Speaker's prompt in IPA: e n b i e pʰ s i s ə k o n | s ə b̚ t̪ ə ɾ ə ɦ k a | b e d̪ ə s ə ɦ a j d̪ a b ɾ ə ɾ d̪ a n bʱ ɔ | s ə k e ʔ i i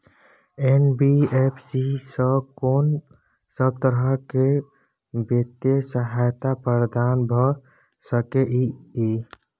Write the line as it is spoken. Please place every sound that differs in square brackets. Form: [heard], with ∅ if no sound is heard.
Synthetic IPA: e n b i e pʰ s i s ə k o n | s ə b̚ t̪ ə ɾ ə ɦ k [e] | b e [t̪] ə s ə ɦ a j [t̪] a [p] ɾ ə ɾ d̪ a n bʱ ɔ | s ə k e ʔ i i